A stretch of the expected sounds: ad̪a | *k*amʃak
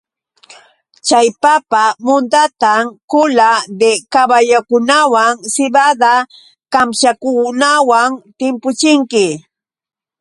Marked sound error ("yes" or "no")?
no